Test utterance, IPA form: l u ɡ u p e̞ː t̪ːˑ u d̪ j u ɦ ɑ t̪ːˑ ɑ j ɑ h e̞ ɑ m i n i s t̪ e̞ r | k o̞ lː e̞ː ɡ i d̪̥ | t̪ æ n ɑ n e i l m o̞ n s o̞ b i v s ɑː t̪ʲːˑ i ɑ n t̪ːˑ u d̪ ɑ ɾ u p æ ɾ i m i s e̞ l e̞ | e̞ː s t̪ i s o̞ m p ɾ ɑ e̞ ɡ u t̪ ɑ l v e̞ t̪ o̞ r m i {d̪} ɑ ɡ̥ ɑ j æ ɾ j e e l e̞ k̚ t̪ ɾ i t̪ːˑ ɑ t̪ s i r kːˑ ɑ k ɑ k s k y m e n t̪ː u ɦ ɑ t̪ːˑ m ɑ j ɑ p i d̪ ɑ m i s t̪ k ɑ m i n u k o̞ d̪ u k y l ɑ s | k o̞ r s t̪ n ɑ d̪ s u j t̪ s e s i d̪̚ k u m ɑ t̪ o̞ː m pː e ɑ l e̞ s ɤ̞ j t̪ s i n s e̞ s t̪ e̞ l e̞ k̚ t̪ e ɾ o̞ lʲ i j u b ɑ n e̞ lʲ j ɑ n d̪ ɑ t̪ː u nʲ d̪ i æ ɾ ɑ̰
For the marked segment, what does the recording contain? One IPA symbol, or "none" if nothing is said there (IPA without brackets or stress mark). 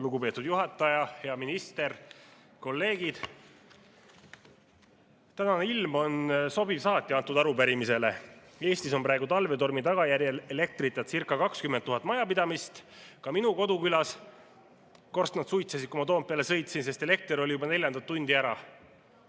t̪